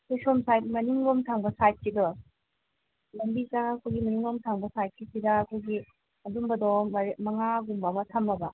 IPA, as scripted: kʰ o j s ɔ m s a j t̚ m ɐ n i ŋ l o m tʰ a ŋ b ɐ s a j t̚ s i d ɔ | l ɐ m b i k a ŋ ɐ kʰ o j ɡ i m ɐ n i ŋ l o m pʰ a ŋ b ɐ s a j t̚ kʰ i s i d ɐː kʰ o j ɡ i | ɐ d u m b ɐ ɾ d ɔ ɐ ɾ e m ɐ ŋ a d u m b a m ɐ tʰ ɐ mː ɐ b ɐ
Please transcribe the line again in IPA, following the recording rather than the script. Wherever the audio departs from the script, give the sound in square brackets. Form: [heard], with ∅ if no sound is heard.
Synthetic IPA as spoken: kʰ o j s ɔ m s a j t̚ m ɐ n i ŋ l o m tʰ a ŋ b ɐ s a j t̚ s i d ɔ | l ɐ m b i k a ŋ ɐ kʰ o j ɡ i m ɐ n i ŋ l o m [tʰ] a ŋ b ɐ s a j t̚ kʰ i s i d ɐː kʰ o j ɡ i | ɐ d u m b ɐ [∅] d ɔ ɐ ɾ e m ɐ ŋ a [ɡ] u m b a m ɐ tʰ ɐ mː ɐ b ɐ